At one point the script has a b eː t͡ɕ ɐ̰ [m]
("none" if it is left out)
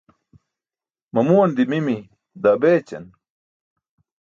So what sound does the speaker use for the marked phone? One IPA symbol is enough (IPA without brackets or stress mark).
n